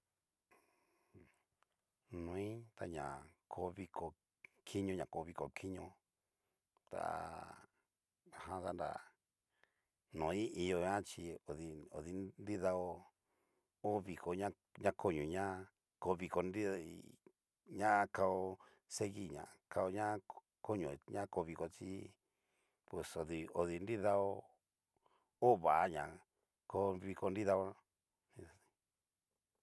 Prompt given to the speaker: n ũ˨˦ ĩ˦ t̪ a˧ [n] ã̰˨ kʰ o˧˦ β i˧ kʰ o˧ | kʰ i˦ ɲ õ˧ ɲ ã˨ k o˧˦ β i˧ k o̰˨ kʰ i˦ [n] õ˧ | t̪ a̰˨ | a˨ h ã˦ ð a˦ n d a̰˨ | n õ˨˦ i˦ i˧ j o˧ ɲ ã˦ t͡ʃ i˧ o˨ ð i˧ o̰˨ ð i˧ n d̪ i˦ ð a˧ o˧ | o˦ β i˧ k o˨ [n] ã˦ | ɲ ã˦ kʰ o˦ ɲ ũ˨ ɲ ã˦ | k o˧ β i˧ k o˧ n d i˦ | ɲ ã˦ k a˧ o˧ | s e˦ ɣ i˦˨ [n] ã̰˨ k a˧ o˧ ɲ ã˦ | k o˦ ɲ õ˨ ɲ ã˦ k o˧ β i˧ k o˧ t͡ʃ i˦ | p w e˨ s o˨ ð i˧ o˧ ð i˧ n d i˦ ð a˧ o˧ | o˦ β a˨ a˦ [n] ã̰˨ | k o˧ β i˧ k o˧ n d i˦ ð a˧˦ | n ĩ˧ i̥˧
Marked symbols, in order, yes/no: no, no, no, no, no

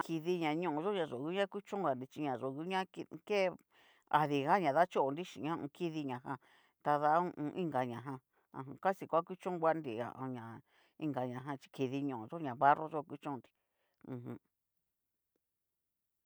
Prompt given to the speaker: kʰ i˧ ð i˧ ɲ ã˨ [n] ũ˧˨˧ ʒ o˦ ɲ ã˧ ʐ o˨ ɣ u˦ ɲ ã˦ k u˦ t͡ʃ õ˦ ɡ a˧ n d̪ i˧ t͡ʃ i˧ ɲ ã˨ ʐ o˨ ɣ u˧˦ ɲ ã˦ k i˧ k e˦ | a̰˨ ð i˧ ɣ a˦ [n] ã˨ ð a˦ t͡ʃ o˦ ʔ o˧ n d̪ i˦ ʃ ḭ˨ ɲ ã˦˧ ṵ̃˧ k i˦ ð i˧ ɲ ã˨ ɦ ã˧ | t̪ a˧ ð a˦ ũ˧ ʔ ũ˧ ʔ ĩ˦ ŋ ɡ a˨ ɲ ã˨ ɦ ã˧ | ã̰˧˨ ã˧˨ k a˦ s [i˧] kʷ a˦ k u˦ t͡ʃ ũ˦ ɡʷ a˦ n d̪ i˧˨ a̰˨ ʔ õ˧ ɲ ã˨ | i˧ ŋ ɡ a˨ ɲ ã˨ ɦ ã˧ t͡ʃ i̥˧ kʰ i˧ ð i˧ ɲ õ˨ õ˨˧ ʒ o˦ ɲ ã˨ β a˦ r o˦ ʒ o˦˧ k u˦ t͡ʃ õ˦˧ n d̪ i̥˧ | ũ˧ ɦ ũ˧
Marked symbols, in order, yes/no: no, no, yes

